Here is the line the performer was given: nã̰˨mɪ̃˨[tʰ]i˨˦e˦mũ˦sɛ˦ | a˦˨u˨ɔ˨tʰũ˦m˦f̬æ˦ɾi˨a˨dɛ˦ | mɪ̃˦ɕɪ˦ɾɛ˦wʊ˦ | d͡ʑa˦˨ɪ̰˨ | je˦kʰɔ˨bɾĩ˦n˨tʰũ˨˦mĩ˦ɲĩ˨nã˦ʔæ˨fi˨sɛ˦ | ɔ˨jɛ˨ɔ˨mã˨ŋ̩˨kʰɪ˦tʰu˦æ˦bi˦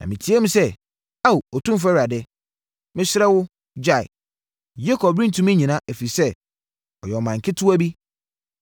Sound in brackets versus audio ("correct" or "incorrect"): correct